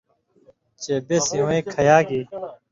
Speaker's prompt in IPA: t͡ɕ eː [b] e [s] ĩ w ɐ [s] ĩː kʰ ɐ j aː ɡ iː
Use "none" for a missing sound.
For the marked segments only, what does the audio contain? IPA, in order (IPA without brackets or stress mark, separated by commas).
b, s, none